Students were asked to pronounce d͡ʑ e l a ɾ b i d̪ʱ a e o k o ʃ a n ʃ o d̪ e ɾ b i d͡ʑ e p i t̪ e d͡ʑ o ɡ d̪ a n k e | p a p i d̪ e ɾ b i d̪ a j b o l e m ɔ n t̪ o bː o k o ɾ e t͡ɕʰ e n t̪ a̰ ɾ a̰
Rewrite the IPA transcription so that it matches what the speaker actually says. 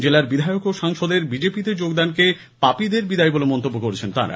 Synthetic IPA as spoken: d͡ʑ e l a ɾ b i d̪ʱ a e o k o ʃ a ŋ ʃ o d̪ e ɾ b i d͡ʑ e p i t̪ e d͡ʑ o ɡ d̪ a n k e | p a p i d̪ e ɾ b i d̪ a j b o l e m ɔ n t̪ o bː o k o ɾ e t͡ɕʰ e n t̪ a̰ ɾ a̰

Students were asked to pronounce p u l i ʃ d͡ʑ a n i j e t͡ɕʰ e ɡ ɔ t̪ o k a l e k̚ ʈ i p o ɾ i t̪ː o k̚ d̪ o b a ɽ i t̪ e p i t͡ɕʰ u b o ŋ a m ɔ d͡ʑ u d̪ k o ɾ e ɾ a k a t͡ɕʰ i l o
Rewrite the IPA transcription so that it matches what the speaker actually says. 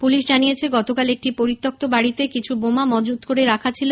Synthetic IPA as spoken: p u l i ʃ d͡ʑ a n i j e t͡ɕʰ e ɡ ɔ t̪ o k a l e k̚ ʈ i p o ɾ i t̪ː o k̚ t̪ o b a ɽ i t̪ e k i t͡ɕʰ u b o m a m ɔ d͡ʑ u d̪ k o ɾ e ɾ a kʰ a t͡ɕʰ i l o

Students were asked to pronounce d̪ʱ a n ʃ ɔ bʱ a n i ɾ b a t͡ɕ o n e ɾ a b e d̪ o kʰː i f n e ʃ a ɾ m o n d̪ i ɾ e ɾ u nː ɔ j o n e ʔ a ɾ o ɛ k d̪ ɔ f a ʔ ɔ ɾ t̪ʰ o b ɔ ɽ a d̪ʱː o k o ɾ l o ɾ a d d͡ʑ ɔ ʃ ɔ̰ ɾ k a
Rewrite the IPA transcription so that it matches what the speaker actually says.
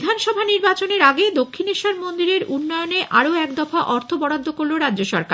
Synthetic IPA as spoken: d̪ʱ a n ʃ ɔ bʱ a n i ɾ b a t͡ɕ o n e ɾ a ɡ e d̪ o kʰː i n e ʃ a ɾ m o n d̪ i ɾ e ɾ u nː ɔ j o n e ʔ a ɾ o ɛ k d̪ ɔ f a ʔ ɔ ɾ t̪ʰ o b ɔ ɽ a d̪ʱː o k o ɾ l o ɾ a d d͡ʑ o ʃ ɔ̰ ɾ k a

